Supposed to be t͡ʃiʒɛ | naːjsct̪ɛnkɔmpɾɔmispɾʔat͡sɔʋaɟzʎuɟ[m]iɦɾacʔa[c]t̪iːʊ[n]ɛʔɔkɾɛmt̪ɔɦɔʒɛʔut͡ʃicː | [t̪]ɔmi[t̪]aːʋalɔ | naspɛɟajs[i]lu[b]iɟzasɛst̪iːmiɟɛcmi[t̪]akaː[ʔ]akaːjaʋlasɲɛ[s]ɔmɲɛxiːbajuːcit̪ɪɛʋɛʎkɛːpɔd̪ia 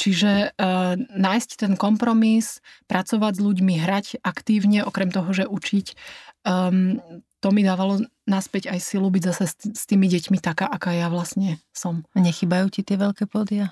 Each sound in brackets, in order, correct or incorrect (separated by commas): correct, incorrect, incorrect, correct, incorrect, correct, correct, correct, correct, correct